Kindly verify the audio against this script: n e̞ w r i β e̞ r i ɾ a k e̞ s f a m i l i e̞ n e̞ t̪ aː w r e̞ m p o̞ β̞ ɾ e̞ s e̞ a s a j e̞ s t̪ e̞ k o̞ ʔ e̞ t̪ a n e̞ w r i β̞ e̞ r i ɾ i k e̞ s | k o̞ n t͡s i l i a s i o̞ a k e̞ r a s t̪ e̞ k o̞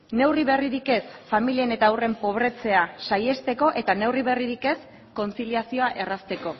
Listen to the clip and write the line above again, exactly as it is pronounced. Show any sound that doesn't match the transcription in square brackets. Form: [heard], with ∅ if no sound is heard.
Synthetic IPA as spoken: n e̞ w r i β e̞ r i ɾ [i] k e̞ s f a m i l i e̞ n e̞ t̪ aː w r e̞ m p o̞ β̞ ɾ e̞ [t͡s] e̞ a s a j e̞ s t̪ e̞ k o̞ ʔ e̞ t̪ a n e̞ w r i β̞ e̞ r i ɾ i k e̞ s | k o̞ n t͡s i l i a s i o̞ a [ʔ] e̞ r a s t̪ e̞ k o̞